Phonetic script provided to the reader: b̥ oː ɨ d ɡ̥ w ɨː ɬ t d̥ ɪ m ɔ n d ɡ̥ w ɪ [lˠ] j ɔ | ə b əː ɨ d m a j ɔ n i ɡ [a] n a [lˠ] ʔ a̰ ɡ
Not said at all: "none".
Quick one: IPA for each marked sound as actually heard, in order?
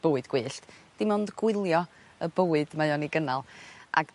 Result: lˠ, ə, lˠ

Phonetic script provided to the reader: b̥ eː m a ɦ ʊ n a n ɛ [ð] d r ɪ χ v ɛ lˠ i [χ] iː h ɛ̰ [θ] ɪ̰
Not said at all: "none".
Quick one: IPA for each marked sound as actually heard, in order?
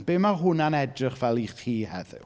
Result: none, χ, ð

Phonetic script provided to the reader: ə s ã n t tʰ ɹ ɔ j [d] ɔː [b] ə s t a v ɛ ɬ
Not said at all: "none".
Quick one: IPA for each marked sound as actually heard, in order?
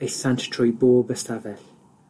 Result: b, b

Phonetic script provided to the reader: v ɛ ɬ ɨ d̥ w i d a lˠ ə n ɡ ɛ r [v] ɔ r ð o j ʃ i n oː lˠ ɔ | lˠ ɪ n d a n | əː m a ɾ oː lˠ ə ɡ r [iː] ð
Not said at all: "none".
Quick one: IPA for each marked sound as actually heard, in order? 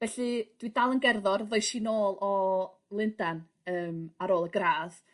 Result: ð, aː

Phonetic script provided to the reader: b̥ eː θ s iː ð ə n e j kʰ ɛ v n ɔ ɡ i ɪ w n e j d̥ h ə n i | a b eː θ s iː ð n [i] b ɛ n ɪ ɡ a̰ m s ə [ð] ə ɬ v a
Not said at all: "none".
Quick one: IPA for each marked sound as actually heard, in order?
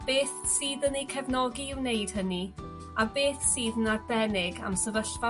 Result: a, v

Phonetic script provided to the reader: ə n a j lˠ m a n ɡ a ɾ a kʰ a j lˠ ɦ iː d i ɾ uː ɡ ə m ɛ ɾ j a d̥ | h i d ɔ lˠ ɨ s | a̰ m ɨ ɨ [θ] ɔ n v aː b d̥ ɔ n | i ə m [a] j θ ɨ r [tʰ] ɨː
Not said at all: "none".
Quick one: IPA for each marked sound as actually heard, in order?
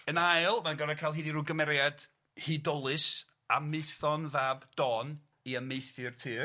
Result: θ, e, tʰ

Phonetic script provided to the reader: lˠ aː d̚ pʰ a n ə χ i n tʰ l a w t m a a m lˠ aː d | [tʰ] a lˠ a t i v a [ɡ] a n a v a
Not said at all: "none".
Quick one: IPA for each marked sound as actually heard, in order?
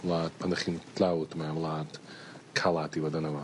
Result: kʰ, d

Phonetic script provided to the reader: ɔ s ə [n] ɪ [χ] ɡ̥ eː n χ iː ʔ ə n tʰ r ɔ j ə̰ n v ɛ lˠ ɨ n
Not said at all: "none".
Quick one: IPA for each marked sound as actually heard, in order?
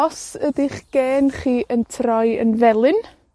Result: d, χ

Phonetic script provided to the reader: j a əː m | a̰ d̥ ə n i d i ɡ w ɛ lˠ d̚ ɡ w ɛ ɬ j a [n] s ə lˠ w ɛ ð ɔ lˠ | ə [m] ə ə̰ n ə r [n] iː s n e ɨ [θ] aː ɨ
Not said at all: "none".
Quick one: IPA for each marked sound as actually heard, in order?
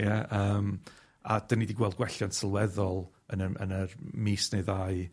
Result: n, n, m, ð

